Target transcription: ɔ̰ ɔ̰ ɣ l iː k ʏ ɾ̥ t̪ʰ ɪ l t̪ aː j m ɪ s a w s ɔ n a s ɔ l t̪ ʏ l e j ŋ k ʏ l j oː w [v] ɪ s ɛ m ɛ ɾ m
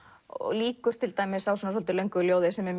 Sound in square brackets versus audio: incorrect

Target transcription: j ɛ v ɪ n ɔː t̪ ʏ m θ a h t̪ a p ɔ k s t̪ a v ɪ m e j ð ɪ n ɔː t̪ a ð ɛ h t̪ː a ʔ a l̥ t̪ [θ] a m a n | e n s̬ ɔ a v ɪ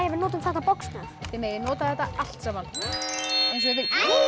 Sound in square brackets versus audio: incorrect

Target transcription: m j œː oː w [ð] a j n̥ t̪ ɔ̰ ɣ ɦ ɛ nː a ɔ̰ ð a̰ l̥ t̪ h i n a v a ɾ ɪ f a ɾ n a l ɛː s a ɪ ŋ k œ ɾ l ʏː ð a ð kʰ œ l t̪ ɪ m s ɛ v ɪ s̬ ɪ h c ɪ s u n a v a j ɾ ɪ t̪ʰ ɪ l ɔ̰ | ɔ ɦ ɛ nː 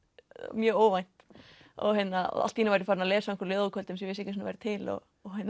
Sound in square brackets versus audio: incorrect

